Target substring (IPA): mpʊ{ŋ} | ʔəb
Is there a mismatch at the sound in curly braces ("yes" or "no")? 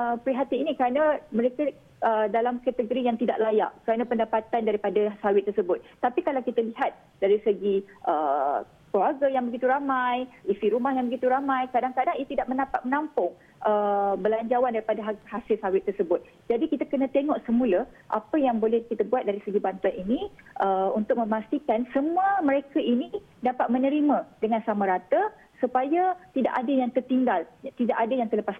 no